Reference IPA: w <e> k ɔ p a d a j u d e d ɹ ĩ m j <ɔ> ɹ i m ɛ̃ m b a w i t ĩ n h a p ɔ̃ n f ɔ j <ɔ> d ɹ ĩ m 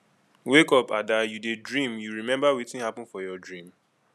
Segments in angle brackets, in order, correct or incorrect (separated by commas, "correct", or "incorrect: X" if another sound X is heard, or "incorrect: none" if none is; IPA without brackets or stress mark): correct, incorrect: u, correct